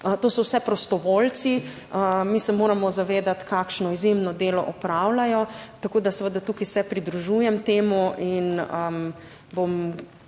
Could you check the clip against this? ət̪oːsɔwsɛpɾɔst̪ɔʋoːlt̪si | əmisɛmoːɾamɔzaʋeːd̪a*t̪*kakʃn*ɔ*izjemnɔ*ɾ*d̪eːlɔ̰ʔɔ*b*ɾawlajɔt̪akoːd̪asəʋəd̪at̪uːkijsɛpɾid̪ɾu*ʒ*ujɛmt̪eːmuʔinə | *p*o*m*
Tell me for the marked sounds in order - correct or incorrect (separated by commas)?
correct, correct, incorrect, incorrect, correct, incorrect, correct